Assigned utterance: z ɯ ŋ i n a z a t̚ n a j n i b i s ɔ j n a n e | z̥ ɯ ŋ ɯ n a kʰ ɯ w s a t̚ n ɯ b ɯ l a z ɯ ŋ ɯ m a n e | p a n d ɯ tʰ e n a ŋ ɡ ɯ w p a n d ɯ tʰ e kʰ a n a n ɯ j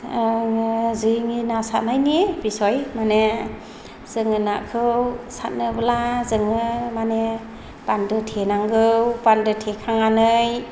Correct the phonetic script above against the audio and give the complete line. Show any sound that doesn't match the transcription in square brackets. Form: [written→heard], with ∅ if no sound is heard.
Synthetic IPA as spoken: z ɯ ŋ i n a [z→s] a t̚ n a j n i b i s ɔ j [n→m] a n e | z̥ ɯ ŋ ɯ n a kʰ ɯ w s a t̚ n ɯ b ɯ l a z ɯ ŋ ɯ m a n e | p a n d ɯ tʰ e n a ŋ ɡ ɯ w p a n d ɯ tʰ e kʰ a [n→ŋ] a n ɯ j